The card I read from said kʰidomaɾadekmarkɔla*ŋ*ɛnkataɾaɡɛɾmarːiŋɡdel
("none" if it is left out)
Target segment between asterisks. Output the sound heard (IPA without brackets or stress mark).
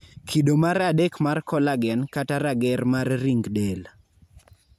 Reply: ɡ